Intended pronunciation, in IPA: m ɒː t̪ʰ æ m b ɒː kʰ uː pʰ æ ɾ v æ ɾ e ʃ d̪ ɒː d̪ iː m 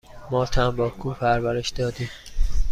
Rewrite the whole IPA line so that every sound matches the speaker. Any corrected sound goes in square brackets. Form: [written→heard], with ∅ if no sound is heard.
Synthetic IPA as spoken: m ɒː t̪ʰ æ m b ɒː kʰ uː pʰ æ ɾ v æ ɾ e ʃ d̪ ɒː d̪ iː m